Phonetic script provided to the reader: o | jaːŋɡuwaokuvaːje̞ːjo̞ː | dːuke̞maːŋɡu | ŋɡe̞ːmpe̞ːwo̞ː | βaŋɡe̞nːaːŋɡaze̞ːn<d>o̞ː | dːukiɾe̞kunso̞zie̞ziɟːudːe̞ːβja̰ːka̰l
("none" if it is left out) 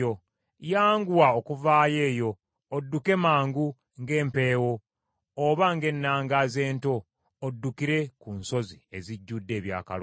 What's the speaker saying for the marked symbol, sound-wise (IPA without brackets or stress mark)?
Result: t